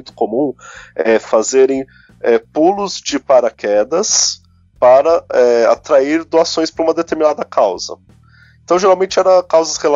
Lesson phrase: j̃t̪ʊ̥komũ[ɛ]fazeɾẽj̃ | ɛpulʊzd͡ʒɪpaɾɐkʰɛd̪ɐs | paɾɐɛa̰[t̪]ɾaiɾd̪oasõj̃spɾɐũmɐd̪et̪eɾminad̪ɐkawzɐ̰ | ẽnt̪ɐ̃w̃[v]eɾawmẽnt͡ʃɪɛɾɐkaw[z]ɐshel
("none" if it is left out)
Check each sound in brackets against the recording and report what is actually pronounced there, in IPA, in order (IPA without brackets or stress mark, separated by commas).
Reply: ɛ, t̪, ʒ, z